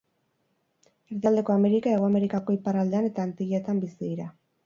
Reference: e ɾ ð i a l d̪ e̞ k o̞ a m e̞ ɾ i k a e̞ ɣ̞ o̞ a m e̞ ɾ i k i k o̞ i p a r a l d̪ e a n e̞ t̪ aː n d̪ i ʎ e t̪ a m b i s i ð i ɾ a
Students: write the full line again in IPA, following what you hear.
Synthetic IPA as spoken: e ɾ ð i a l d̪ e̞ k o̞ a m e̞ ɾ i k a e̞ ɣ̞ o̞ a m e̞ ɾ i k a k o̞ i p a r a l d̪ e a n e̞ t̪ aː n t̪ i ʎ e t̪ a m b i s i ð i ɾ a